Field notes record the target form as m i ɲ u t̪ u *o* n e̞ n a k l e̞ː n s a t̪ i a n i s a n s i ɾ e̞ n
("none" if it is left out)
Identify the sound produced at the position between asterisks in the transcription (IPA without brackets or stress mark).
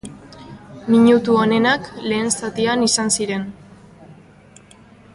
o